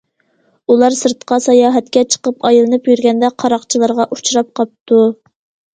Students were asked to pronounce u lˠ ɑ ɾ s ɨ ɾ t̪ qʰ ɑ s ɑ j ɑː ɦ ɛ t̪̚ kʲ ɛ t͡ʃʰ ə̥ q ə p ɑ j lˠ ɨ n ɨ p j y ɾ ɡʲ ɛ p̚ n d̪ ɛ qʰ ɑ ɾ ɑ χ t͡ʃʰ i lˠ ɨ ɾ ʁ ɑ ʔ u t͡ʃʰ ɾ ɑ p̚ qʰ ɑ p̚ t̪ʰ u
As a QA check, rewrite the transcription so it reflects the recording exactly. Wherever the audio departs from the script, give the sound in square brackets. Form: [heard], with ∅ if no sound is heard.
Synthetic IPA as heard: u lˠ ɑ ɾ s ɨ ɾ t̪ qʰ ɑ s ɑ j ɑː ɦ ɛ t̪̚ kʲ ɛ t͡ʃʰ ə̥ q ə p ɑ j lˠ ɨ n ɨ p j y ɾ ɡʲ ɛ [∅] n d̪ ɛ qʰ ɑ ɾ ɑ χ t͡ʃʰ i lˠ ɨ ɾ ʁ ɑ ʔ u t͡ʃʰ ɾ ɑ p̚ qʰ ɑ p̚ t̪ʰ u